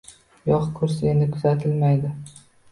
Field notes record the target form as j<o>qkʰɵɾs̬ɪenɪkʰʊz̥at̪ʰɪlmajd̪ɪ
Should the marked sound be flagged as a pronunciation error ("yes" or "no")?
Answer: yes